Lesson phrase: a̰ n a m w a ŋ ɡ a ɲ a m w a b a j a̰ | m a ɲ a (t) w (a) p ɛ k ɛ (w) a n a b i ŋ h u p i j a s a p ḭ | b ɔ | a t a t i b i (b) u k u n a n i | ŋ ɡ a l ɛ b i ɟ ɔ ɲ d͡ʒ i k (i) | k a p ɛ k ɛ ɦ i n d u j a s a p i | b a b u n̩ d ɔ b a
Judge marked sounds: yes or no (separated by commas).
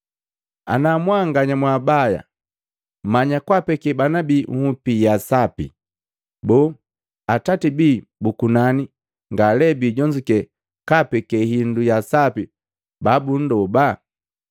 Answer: no, yes, no, yes, no